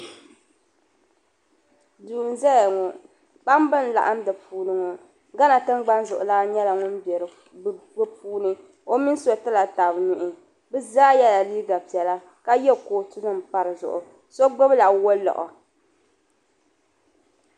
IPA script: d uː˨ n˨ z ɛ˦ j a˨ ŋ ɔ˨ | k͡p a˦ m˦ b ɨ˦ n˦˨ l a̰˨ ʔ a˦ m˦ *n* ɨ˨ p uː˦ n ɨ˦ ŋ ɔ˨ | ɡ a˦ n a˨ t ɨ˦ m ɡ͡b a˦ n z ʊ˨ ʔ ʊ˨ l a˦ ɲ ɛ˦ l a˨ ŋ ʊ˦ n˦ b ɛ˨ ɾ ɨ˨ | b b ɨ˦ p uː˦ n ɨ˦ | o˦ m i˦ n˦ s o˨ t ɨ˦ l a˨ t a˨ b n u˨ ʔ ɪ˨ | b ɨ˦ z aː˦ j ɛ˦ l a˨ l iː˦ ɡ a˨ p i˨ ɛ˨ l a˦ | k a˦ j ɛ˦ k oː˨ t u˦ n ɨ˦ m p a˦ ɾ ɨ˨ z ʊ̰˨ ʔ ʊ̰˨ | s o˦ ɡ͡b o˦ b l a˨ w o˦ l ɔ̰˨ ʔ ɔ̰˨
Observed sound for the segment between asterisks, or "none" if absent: d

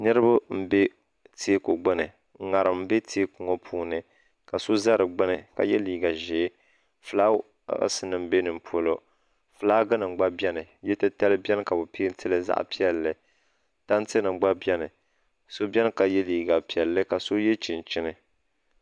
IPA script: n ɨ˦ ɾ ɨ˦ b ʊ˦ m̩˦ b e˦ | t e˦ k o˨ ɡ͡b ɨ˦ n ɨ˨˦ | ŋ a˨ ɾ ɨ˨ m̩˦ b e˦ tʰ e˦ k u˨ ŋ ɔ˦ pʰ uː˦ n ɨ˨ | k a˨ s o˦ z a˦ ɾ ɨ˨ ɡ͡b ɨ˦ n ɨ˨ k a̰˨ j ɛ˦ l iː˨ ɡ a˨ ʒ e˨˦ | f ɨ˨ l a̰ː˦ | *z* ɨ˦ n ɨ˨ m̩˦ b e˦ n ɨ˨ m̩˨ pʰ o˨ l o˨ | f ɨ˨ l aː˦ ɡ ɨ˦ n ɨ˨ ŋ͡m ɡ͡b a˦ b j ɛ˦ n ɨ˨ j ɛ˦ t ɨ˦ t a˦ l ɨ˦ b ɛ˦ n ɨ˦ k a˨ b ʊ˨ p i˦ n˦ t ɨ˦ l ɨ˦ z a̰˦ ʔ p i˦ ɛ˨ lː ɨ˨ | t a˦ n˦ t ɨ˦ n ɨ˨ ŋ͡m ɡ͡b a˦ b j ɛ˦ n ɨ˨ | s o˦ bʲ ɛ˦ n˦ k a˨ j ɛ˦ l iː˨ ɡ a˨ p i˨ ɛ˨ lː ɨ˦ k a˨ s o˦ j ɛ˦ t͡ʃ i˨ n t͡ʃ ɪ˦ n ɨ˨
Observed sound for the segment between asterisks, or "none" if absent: s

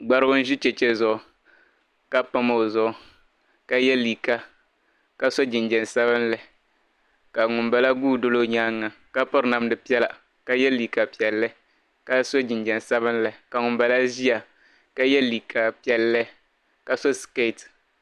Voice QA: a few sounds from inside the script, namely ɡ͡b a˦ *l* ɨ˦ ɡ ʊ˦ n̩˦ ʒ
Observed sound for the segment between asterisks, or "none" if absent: ɾ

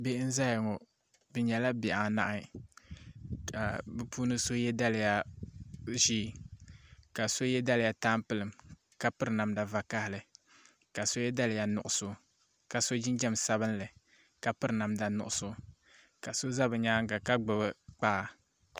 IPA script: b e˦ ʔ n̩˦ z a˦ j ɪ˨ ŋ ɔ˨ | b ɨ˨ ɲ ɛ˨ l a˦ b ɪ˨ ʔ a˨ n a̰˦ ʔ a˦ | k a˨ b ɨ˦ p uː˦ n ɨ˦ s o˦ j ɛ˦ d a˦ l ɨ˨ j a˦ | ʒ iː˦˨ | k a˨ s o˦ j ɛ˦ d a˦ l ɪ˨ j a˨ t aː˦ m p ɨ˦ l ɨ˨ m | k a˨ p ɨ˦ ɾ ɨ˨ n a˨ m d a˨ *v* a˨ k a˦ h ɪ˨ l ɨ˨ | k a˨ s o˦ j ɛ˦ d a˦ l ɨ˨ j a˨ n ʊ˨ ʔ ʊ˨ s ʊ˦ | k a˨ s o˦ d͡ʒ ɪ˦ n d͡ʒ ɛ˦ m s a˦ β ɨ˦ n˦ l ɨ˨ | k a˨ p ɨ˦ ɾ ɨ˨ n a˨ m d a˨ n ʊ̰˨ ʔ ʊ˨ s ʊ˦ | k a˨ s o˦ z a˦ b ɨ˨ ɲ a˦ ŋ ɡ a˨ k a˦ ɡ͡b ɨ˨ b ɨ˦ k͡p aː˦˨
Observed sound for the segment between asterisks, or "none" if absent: v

